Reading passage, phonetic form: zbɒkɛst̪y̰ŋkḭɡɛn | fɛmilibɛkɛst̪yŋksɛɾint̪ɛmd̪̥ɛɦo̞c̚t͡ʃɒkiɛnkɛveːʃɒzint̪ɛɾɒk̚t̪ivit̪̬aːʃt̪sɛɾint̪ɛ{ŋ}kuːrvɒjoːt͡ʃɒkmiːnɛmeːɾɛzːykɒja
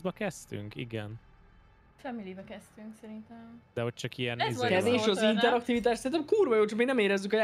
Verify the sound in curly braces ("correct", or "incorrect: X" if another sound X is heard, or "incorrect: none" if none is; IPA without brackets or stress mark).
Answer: incorrect: m